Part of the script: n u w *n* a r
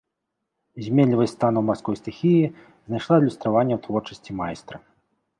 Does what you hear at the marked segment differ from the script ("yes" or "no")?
yes